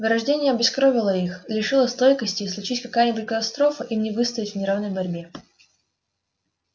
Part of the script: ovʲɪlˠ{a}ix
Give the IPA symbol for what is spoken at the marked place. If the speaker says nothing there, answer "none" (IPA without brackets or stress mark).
ə